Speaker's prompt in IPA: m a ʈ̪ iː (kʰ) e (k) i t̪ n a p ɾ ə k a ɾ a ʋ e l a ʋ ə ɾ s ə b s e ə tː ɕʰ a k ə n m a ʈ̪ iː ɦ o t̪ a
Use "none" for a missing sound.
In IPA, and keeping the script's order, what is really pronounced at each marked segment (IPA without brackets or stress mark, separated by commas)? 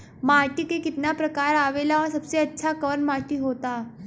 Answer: k, k